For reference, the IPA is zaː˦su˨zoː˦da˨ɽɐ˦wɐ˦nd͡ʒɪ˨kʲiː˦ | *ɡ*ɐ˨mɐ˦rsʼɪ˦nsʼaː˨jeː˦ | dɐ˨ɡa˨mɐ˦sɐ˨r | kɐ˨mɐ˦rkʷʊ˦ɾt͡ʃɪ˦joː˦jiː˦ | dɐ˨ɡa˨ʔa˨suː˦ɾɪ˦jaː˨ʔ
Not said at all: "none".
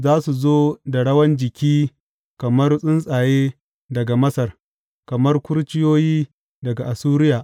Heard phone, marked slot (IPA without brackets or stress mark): k